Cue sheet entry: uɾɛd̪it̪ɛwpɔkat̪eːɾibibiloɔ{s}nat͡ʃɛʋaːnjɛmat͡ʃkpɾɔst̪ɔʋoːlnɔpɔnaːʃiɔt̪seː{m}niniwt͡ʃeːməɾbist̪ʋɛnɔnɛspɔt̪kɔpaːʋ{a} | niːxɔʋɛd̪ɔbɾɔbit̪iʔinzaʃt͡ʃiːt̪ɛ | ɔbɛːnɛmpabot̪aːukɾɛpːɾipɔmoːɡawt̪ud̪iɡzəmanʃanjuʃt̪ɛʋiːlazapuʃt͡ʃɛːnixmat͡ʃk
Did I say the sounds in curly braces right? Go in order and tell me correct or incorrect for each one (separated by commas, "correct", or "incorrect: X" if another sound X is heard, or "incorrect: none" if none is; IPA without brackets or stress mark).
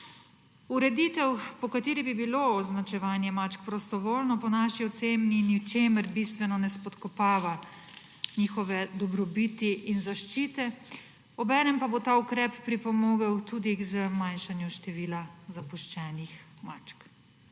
incorrect: z, correct, correct